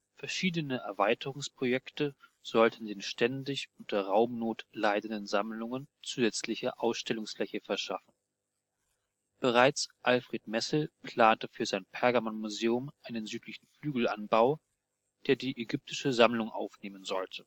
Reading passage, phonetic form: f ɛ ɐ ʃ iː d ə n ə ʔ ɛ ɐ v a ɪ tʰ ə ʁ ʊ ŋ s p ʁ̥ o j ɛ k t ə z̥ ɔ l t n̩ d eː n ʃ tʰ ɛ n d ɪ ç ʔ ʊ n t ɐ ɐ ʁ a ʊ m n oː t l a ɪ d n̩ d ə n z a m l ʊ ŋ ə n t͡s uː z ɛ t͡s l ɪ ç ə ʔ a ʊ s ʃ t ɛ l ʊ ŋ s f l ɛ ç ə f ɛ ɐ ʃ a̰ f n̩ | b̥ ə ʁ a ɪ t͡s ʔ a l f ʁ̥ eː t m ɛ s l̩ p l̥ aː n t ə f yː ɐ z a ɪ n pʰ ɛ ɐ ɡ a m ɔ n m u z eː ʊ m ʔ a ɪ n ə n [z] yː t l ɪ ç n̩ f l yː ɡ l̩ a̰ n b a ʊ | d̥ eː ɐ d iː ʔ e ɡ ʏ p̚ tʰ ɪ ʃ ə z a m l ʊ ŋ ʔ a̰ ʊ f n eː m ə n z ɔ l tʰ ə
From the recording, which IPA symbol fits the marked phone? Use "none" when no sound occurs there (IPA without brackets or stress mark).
z